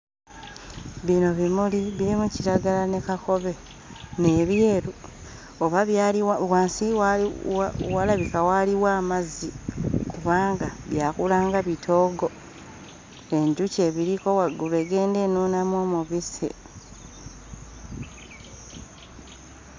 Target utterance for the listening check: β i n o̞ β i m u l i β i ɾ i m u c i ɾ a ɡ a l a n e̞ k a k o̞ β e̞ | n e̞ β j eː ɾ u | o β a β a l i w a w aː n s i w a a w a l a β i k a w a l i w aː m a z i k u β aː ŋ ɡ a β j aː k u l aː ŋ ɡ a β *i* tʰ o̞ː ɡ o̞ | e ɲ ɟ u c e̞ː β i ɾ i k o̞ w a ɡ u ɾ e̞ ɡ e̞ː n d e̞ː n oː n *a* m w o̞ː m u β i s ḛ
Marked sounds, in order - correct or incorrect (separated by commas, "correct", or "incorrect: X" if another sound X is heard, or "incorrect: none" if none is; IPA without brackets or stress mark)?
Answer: correct, correct